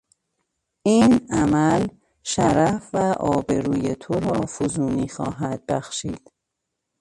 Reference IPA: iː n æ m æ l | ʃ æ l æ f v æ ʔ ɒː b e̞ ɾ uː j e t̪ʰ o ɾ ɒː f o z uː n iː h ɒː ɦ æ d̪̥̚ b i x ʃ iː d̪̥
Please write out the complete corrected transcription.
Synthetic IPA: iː n æ m æ l | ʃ æ ɾ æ f v æ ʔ ɒː b e̞ ɾ uː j e t̪ʰ o ɾ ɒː f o z uː n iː x ɒː ɦ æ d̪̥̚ b æ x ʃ iː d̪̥